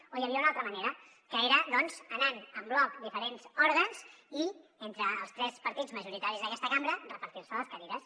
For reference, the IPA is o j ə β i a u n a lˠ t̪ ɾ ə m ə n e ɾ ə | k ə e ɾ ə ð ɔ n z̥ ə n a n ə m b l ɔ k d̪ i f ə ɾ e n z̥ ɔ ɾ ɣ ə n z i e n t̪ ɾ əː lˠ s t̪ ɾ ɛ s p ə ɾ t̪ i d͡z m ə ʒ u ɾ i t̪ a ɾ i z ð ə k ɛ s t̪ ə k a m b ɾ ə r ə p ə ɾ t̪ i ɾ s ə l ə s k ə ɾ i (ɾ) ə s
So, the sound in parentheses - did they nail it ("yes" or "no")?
yes